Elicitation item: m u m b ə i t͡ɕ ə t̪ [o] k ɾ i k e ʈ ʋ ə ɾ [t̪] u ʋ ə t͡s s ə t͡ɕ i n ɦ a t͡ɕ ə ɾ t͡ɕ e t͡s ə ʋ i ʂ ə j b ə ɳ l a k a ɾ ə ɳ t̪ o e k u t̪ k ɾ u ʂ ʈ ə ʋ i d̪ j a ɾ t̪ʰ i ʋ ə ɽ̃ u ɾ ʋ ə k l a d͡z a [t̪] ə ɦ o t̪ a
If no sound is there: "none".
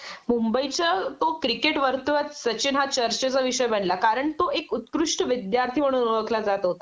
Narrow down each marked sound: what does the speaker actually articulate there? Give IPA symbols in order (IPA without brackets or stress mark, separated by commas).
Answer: o, t̪, t̪